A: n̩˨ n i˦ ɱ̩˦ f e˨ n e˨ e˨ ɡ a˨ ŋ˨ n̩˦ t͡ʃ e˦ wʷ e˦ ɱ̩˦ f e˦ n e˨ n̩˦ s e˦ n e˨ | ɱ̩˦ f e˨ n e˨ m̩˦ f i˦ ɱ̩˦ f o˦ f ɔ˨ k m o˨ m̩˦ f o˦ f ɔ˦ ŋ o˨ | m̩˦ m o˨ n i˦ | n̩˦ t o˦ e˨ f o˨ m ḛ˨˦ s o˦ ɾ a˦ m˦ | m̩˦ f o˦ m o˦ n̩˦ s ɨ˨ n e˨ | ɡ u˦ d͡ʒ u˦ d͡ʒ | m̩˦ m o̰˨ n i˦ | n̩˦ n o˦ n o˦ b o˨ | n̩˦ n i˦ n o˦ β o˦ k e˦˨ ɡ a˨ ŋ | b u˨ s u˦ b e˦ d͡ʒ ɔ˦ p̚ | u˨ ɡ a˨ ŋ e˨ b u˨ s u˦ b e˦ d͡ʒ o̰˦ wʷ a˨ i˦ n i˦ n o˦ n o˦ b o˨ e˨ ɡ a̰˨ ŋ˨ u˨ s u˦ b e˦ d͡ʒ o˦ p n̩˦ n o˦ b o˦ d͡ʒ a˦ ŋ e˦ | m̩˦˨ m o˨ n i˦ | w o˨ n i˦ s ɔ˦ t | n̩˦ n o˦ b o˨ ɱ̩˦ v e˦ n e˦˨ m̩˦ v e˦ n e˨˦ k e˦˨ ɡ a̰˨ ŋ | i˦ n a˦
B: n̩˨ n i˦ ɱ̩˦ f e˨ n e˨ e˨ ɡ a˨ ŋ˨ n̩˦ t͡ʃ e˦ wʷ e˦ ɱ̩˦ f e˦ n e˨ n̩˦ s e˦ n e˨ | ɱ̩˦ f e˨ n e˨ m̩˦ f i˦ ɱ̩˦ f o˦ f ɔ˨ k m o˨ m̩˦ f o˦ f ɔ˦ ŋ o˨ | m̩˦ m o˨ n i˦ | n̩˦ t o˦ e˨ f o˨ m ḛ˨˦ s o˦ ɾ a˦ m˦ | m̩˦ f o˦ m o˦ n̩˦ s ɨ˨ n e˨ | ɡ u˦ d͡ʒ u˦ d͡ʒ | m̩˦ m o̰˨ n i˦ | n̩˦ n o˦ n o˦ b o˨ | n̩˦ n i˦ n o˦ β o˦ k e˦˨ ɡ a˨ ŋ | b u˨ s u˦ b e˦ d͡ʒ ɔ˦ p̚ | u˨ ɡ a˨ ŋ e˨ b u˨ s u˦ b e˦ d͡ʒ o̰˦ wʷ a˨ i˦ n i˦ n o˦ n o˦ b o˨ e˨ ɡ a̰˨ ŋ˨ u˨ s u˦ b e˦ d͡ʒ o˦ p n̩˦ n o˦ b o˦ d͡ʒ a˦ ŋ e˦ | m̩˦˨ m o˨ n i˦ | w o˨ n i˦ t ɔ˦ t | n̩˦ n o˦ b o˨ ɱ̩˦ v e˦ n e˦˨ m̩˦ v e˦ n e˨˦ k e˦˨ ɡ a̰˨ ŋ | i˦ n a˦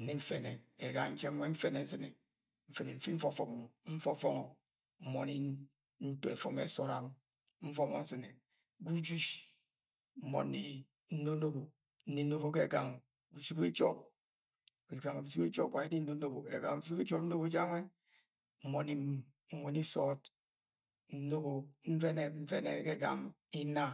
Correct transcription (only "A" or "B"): A